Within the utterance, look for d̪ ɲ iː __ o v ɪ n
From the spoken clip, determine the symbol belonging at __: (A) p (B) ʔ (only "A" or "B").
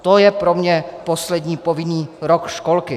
A